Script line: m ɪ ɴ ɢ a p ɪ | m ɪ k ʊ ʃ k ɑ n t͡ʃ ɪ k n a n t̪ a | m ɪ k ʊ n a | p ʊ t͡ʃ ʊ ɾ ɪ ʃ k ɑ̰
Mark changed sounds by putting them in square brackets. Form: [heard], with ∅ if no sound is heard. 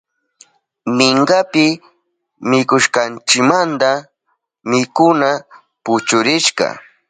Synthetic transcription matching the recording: m ɪ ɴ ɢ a p ɪ | m ɪ k ʊ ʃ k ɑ n t͡ʃ ɪ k [m] a n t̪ a | m ɪ k ʊ n a | p ʊ t͡ʃ ʊ ɾ ɪ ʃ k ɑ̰